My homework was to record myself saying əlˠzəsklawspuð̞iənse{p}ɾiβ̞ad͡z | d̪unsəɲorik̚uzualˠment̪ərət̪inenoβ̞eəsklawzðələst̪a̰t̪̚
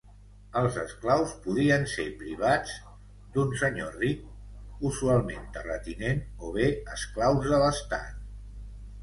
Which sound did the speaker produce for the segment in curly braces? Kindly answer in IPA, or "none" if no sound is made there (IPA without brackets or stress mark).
p